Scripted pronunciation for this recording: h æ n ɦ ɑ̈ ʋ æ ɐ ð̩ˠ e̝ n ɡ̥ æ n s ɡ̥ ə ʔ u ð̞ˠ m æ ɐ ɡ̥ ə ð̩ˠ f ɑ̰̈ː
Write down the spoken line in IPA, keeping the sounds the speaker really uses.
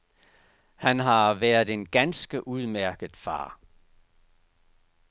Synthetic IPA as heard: h æ n ɦ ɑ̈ ʋ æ ɐ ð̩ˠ e̝ n ɡ̥ æ n s ɡ̥ ə ʔ u ð̞ˠ m æ ɐ ɡ̥ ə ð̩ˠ f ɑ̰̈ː